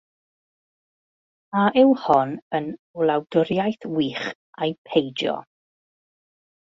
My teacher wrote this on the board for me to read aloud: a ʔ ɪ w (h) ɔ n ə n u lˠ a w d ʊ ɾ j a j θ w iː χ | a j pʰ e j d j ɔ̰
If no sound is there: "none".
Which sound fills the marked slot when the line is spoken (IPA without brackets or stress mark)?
h